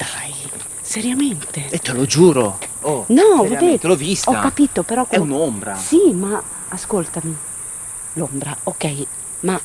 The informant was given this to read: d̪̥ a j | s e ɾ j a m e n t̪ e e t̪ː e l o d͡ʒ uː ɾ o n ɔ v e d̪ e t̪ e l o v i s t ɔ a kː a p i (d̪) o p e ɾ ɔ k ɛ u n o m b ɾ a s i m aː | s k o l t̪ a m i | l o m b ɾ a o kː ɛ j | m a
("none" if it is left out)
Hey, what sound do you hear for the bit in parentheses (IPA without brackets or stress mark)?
t̪